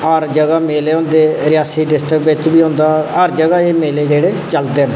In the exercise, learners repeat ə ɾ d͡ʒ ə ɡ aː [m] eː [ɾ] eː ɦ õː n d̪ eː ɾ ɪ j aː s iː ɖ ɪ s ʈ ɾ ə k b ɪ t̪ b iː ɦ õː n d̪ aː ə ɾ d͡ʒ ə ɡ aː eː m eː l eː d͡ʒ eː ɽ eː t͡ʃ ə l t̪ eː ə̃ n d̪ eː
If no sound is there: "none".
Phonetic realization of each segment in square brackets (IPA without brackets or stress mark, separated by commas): m, l